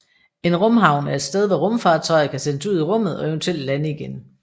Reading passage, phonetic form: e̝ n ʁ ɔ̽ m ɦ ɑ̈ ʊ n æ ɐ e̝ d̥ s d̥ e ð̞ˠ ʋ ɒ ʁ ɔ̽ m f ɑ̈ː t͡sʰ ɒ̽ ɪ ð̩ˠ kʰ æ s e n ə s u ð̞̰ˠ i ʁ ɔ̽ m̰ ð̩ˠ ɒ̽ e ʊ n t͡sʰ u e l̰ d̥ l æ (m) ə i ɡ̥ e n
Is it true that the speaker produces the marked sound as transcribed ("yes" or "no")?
no